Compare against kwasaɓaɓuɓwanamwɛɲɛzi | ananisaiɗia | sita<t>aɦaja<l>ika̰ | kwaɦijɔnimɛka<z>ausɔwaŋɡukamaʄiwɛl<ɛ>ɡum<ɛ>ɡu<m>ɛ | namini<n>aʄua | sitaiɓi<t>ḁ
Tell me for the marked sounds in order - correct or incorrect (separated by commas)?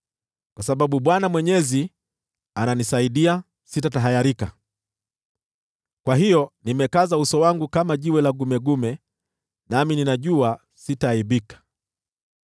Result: correct, incorrect, correct, incorrect, correct, correct, correct, incorrect